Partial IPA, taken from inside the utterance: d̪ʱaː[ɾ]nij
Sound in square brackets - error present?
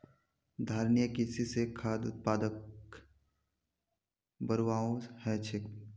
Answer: no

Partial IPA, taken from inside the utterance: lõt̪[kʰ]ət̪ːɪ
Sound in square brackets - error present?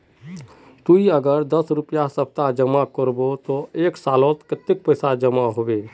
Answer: yes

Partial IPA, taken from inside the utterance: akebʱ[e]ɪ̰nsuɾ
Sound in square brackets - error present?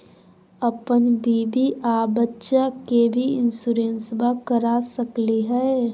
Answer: yes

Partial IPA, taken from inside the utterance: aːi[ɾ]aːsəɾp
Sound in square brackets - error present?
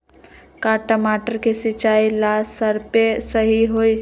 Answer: yes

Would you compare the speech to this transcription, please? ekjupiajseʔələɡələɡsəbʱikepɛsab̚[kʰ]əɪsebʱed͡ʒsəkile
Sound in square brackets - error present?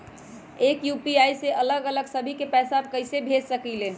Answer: yes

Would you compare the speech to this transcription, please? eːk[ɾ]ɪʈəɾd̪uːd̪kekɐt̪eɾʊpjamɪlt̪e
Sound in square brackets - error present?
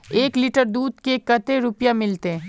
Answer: yes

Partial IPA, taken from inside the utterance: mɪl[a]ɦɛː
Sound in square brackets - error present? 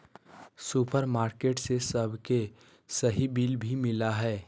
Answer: no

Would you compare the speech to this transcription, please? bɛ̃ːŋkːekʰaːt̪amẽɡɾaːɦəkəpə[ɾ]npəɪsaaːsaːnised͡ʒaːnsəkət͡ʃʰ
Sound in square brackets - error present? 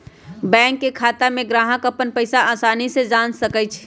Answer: yes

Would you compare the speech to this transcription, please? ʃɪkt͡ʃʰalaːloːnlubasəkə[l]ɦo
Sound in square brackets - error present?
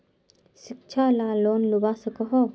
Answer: yes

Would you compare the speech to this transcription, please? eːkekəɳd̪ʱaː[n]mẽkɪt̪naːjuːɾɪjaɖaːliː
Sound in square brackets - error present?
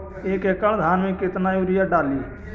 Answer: no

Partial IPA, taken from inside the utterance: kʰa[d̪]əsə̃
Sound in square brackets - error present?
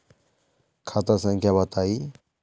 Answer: yes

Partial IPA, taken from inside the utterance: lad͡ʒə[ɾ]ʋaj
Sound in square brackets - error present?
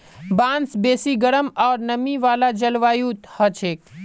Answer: yes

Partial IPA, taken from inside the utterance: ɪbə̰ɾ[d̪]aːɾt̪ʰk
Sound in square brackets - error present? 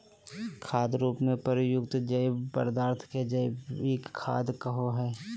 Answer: no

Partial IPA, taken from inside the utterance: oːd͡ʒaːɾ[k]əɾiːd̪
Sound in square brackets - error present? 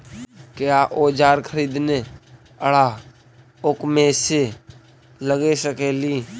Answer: yes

